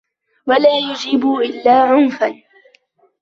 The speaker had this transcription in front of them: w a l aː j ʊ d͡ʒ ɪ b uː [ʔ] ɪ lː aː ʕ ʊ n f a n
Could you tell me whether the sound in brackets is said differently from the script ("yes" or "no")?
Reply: no